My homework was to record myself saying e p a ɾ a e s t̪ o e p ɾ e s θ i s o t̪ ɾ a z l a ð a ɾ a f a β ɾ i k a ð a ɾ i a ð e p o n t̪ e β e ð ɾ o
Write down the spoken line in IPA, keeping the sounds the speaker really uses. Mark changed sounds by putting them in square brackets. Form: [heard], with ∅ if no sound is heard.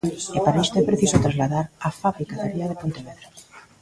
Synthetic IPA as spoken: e p a ɾ a e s t̪ o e p ɾ e [∅] θ i s o t̪ ɾ a z l a ð a ɾ a f a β ɾ i k a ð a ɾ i a ð e p o n t̪ e β e ð ɾ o